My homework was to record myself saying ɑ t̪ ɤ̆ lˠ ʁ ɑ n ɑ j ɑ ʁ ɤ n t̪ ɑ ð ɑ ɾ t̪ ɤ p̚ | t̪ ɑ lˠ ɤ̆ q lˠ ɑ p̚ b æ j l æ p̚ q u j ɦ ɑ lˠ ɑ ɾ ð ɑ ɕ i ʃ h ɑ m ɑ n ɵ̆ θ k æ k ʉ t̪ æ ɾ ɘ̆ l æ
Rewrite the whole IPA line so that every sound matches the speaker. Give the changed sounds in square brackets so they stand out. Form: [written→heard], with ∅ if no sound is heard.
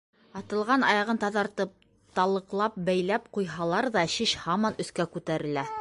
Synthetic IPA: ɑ t̪ ɤ̆ lˠ ʁ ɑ n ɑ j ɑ ʁ ɤ n t̪ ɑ ð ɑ ɾ t̪ ɤ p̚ | t̪ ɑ lˠ ɤ̆ q lˠ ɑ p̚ b æ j l æ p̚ q u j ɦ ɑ lˠ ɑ ɾ ð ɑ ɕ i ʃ h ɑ m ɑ n ɵ̆ θ k æ k ʉ t̪ æ ɾ ɘ̆ l æ